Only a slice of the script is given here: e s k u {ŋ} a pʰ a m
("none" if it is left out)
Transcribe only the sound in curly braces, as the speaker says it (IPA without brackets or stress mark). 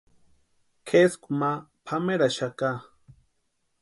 m